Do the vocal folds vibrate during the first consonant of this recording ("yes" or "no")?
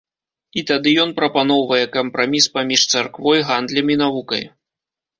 no